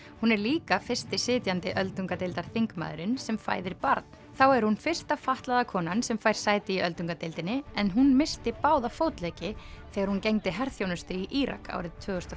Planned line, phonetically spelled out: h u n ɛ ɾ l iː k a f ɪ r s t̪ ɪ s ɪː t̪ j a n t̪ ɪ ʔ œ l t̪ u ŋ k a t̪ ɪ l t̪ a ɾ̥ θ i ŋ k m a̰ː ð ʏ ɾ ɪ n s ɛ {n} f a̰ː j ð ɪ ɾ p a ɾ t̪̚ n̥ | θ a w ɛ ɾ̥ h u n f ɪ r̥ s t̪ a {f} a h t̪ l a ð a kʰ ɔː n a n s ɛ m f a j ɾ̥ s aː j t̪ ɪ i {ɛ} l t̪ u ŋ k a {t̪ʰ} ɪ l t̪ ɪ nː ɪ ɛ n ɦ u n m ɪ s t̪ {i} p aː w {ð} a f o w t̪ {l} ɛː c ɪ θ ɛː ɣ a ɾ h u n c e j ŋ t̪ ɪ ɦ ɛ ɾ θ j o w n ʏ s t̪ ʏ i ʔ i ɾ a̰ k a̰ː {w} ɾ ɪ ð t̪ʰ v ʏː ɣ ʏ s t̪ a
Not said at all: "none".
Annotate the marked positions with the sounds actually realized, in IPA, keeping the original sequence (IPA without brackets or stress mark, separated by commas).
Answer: m, f, œ, t̪, ɪ, ð, l, w